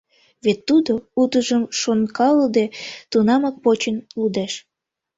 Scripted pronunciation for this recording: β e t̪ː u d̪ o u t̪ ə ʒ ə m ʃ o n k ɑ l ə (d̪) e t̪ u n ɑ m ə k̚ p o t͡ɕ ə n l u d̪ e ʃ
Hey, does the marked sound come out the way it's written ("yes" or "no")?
yes